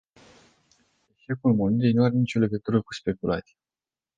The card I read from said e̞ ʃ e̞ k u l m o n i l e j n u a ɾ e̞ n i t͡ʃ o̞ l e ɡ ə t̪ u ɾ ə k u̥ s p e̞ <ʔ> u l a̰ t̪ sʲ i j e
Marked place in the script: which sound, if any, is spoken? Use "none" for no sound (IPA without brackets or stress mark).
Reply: k